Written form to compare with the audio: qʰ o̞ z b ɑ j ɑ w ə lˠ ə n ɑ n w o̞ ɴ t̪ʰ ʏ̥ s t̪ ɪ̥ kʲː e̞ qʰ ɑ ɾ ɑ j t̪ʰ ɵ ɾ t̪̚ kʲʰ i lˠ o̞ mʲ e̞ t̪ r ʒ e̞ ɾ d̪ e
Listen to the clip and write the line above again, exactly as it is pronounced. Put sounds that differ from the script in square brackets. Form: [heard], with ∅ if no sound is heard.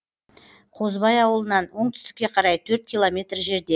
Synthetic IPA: qʰ o̞ z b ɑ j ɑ w ə lˠ ə n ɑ n w o̞ ɴ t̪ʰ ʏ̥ s t̪ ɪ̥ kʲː e̞ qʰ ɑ ɾ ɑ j t̪ʰ ɵ ɾ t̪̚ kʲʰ i lˠ o̞ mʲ e̞ t̪ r ʒ e̞ ɾ d̪ e